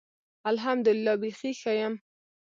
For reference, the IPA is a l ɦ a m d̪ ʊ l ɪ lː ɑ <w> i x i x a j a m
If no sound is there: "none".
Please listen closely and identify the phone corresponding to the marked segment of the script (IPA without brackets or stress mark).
b